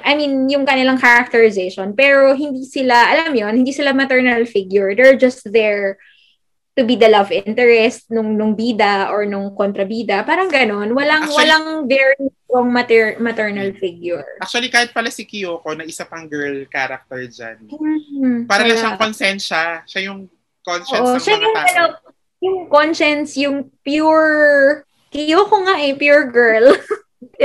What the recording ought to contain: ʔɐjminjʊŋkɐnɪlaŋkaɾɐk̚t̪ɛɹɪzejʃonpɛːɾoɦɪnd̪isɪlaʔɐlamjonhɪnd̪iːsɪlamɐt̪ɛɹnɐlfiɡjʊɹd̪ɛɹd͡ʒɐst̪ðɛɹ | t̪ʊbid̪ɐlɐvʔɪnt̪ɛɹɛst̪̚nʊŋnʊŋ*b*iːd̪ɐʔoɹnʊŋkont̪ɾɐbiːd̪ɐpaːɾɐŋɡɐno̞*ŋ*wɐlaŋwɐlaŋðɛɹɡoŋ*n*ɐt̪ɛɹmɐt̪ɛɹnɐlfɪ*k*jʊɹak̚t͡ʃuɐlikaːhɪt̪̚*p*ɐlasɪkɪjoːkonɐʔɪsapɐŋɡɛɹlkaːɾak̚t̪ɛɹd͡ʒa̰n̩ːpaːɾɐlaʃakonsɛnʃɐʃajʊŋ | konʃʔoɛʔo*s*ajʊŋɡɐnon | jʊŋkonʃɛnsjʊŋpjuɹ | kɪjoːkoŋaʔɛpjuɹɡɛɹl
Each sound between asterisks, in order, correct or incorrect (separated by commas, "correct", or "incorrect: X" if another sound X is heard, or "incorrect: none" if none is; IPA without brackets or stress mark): correct, incorrect: n, incorrect: m, incorrect: ɡ, correct, incorrect: ʃ